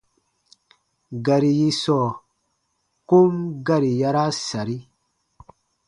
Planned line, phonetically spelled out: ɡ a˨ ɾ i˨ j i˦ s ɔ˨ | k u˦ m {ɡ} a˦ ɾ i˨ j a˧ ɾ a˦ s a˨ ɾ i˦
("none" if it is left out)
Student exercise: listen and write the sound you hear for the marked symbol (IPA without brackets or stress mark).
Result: ɡ